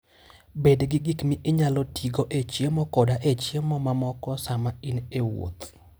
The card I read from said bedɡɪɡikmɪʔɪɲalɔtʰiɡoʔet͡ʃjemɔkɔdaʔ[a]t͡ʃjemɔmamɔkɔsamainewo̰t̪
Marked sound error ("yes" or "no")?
yes